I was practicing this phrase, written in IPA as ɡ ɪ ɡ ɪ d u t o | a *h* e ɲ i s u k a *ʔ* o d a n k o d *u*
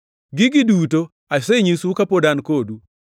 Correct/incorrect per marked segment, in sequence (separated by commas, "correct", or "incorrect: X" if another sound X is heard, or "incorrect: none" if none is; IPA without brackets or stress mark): incorrect: s, incorrect: p, correct